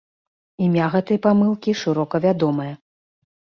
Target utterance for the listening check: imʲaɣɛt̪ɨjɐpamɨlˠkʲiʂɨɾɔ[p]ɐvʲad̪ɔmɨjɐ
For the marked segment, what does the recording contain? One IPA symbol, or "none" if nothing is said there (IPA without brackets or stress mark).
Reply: k